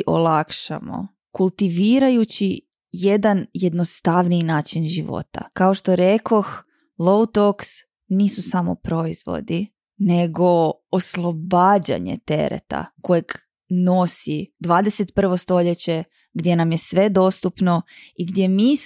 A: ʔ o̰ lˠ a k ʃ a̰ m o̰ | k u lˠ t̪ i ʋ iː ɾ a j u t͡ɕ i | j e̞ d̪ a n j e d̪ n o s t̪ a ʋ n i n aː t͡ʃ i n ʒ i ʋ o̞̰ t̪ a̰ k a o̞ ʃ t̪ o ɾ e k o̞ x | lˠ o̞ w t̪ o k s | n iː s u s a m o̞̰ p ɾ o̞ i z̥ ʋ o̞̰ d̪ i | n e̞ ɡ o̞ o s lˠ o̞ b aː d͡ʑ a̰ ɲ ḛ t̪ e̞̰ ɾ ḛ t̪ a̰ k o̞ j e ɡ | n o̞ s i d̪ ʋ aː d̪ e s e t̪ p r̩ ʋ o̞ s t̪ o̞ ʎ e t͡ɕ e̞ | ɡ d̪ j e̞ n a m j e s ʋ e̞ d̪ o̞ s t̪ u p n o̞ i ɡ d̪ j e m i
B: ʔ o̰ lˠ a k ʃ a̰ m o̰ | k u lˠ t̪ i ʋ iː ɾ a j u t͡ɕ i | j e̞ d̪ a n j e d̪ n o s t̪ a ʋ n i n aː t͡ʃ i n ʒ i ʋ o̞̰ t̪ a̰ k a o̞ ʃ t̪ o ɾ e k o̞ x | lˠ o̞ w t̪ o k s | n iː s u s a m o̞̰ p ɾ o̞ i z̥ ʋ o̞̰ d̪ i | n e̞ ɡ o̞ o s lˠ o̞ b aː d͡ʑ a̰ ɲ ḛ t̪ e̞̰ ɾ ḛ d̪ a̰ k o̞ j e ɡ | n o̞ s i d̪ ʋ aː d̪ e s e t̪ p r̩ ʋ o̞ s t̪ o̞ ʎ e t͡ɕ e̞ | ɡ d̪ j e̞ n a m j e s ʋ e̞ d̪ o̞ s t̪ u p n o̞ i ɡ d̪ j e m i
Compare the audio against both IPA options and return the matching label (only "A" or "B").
A